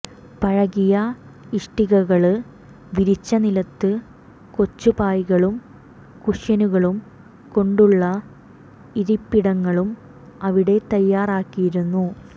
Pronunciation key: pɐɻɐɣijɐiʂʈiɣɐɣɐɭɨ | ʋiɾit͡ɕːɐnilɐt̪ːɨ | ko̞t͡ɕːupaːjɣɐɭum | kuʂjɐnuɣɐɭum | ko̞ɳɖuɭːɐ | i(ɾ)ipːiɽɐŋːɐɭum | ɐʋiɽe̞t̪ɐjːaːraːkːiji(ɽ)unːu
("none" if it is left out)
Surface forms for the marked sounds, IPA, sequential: ɾ, ɾ

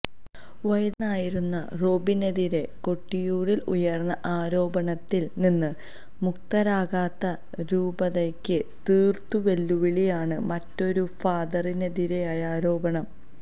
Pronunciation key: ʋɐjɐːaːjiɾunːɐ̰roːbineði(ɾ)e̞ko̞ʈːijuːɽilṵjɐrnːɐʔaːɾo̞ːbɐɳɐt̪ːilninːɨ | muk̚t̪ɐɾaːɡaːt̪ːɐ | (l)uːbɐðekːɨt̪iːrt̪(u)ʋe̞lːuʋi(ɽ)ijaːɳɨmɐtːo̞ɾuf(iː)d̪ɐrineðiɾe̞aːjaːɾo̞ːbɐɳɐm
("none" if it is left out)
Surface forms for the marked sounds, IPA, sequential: ɾ, ɾ, u, ɭ, aː

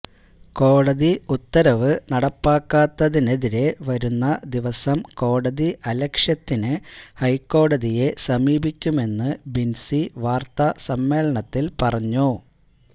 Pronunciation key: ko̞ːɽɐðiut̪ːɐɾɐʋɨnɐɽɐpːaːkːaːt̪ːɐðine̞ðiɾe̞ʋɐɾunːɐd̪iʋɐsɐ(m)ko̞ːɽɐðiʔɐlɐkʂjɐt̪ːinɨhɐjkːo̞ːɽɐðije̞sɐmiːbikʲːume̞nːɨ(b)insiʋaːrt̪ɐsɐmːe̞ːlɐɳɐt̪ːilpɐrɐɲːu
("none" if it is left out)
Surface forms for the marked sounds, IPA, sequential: m, b

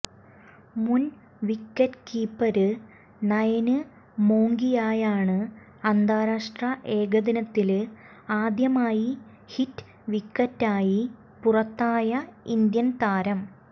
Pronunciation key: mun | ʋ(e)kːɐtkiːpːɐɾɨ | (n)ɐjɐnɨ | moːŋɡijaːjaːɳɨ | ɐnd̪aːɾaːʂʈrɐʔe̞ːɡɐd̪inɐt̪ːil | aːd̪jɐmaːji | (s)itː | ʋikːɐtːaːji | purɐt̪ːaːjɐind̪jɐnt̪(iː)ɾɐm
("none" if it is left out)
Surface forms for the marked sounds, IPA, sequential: i, n, h, aː

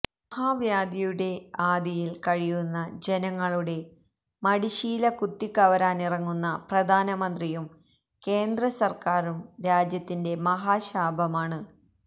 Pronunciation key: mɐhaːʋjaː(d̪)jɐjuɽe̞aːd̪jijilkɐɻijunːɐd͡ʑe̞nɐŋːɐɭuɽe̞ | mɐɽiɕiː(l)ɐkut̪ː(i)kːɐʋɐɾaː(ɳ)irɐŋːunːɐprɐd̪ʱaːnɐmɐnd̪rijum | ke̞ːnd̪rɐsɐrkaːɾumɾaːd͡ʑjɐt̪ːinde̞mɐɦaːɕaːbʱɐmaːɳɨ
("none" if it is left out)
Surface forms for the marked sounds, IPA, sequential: d̪, l, i, n

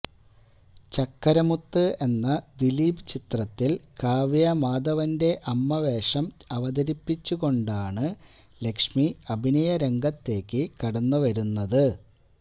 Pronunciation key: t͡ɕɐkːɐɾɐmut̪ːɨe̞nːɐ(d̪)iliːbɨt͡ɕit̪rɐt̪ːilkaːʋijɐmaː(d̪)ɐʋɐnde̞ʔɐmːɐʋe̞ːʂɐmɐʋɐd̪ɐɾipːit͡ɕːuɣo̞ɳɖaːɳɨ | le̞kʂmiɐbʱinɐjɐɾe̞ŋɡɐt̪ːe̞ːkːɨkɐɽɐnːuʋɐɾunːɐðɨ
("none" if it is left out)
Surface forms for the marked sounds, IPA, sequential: d̪, d̪

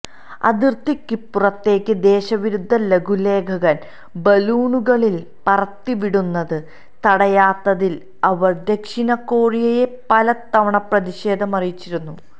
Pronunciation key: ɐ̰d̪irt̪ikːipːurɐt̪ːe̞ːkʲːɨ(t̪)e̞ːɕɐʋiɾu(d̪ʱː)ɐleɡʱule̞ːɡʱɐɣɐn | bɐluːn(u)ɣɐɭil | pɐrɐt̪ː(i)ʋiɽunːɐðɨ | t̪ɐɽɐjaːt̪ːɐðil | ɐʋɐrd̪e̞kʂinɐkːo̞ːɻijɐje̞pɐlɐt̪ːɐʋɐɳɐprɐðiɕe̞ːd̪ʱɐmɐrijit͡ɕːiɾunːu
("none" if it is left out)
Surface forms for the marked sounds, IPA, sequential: d̪, d̪ʱː, u, i

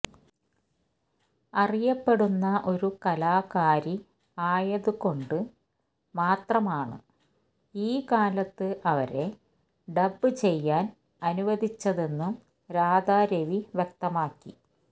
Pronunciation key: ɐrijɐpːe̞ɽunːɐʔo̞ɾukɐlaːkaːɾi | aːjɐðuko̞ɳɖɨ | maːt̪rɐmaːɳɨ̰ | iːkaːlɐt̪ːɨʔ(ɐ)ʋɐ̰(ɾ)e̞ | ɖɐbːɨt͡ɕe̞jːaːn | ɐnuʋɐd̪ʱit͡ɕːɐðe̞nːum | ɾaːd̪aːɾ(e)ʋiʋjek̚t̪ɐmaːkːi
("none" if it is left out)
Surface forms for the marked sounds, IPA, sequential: ɐ, ɾ, e

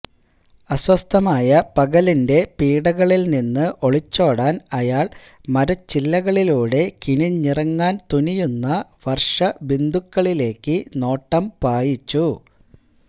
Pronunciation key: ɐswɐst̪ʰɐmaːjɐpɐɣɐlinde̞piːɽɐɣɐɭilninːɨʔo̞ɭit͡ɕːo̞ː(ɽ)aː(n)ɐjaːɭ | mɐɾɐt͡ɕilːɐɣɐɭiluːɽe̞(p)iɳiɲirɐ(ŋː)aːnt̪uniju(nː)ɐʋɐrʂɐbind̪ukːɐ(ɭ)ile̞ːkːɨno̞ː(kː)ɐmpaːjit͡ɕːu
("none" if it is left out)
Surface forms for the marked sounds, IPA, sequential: ɽ, n, k, ŋː, nː, ɭ, ʈː

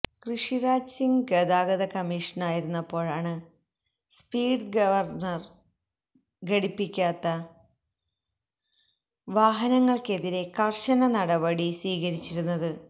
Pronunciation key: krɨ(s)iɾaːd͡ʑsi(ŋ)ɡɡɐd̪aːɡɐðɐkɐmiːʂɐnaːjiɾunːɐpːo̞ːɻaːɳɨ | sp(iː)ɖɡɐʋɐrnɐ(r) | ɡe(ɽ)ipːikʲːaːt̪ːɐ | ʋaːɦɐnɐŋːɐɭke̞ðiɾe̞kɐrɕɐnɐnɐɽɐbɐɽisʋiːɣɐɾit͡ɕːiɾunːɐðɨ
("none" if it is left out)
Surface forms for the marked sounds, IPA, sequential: ʂ, ŋ, iː, r, ɽ

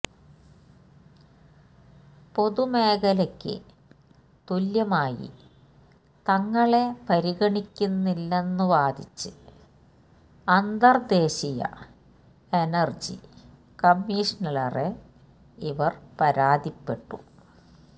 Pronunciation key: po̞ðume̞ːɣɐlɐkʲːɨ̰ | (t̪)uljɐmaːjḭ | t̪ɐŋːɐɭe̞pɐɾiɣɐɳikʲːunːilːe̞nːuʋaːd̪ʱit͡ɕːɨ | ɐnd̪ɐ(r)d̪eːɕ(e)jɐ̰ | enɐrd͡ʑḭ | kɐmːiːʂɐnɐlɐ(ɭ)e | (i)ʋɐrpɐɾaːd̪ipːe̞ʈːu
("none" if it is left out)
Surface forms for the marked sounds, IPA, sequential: t̪, r, i, r, i

